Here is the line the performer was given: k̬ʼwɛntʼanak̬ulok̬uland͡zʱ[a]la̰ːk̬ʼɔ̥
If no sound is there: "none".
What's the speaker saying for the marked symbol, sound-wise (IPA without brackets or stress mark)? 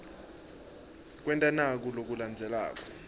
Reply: ɛ